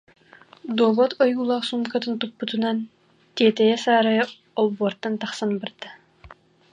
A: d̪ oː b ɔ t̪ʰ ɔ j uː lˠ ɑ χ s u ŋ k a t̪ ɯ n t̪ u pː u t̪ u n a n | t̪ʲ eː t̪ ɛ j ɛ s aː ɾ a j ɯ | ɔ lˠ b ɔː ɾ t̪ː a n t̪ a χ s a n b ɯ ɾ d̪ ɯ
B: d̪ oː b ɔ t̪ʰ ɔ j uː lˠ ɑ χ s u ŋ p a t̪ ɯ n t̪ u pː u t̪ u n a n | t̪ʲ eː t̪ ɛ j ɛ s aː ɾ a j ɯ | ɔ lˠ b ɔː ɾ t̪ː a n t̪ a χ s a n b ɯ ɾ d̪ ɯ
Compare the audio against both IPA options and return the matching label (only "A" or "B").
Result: A